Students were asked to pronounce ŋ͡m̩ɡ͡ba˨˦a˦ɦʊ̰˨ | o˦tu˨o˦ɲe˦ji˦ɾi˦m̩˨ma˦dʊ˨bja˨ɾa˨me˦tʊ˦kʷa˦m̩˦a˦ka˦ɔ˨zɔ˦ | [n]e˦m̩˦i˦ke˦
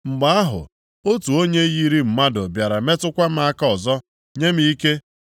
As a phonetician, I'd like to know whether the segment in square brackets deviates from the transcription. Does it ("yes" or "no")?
yes